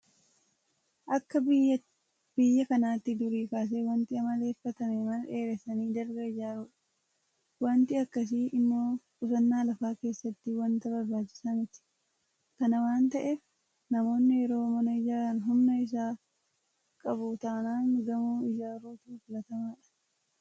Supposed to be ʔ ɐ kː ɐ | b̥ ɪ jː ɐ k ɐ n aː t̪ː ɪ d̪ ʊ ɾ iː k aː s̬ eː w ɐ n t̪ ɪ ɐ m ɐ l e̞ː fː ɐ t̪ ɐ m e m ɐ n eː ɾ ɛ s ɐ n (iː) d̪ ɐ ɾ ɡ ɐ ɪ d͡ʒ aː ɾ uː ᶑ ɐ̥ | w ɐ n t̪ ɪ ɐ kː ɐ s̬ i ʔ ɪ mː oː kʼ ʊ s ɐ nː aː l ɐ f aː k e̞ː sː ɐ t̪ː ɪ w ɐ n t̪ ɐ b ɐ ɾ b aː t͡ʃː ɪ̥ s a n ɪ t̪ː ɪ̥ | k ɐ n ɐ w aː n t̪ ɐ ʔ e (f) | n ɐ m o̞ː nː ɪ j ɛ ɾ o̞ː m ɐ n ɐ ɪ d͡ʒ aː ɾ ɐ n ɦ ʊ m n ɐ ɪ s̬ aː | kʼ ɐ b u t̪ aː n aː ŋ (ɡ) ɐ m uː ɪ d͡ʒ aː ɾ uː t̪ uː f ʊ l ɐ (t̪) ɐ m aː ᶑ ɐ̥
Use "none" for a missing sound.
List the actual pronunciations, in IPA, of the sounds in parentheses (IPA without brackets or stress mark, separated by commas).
iː, f, ɡ, t̪